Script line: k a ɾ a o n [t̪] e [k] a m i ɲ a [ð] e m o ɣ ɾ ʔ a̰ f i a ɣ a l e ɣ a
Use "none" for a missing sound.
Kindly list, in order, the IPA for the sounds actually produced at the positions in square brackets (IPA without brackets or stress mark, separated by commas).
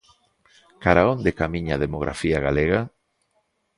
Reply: d̪, k, ð